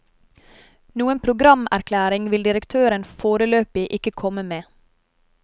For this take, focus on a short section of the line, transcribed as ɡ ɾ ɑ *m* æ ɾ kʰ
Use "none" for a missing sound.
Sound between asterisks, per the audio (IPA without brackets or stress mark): m